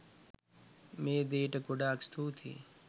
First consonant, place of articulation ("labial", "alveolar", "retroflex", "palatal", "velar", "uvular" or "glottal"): labial